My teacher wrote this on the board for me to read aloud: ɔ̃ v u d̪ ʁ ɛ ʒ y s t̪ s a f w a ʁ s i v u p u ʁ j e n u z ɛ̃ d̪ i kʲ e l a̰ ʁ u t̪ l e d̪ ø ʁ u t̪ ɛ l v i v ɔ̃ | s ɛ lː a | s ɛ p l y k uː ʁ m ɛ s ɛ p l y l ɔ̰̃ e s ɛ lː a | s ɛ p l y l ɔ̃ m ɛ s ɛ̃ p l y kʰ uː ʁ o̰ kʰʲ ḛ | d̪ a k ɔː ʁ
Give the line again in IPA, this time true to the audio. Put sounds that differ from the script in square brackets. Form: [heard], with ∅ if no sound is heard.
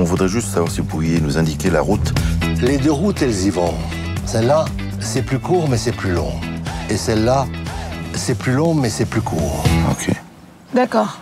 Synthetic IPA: ɔ̃ v u d̪ ʁ ɛ ʒ y s t̪ s a [v] w a ʁ s i v u p u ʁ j e n u z ɛ̃ d̪ i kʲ e l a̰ ʁ u t̪ l e d̪ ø ʁ u t̪ ɛ l [z] i v ɔ̃ | s ɛ lː a | s ɛ p l y k uː ʁ m ɛ s ɛ p l y l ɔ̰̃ e s ɛ lː a | s ɛ p l y l ɔ̃ m ɛ s [ɛ] p l y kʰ uː ʁ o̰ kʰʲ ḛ | d̪ a k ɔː ʁ